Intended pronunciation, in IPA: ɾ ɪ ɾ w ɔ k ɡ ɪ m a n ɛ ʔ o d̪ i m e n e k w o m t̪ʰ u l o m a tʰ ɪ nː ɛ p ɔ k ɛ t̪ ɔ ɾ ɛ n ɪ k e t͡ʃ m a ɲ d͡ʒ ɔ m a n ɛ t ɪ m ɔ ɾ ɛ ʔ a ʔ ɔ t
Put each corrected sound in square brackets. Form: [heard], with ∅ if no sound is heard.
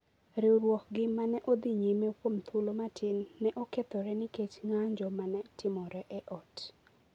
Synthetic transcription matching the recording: ɾ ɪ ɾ w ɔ k ɡ ɪ m a n ɛ ʔ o d̪ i [ɲ] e [m] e k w o m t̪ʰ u l o m a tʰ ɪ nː ɛ [ʔ] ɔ k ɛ t̪ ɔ ɾ ɛ n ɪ k e t͡ʃ [ŋ] a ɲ d͡ʒ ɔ m a n ɛ t ɪ m ɔ ɾ ɛ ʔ [ɛ] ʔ ɔ t